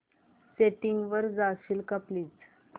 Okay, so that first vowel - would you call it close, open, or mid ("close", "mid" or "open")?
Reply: mid